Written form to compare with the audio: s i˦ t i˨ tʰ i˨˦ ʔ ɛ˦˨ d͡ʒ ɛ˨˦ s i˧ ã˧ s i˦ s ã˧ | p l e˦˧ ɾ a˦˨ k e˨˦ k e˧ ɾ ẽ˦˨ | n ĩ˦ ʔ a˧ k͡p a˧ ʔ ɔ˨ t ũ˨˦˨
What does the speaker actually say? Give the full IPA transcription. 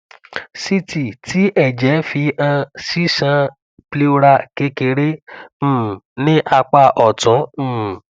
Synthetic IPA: s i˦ t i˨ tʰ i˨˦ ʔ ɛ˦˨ d͡ʒ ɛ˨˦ f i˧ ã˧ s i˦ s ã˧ | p l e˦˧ ɾ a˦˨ k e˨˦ k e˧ ɾ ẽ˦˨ | n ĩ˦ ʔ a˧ k͡p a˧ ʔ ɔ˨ t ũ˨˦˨